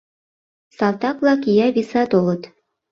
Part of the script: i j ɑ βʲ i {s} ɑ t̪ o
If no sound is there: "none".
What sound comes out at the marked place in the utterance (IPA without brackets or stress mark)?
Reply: s